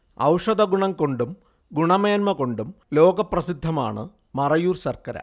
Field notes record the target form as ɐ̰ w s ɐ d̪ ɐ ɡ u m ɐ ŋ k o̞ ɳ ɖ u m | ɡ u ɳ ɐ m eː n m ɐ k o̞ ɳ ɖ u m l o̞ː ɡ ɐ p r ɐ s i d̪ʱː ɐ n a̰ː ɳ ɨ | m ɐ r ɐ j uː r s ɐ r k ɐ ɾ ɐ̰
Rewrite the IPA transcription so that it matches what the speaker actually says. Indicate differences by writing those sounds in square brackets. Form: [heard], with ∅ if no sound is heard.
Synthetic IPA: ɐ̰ w [ʂ] ɐ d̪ ɐ ɡ u [ɳ] ɐ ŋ k o̞ ɳ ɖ u m | ɡ u ɳ ɐ m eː n m ɐ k o̞ ɳ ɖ u m l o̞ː ɡ ɐ p r ɐ s i d̪ʱː ɐ [m] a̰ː ɳ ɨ | m ɐ r ɐ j uː r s ɐ r k ɐ ɾ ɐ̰